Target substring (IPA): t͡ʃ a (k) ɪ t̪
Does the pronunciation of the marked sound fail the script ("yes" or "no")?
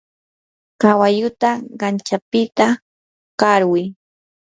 yes